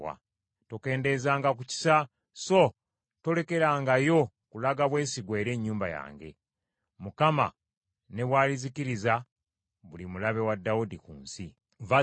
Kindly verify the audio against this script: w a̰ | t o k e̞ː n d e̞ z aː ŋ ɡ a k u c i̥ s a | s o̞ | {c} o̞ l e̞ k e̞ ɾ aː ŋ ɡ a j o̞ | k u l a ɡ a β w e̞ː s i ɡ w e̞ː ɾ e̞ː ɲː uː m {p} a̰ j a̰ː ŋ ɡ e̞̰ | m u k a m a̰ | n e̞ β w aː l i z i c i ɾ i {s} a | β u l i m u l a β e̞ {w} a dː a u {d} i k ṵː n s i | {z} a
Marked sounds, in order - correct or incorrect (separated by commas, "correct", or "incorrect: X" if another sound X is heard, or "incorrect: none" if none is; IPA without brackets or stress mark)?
incorrect: t, incorrect: b, incorrect: z, correct, correct, incorrect: v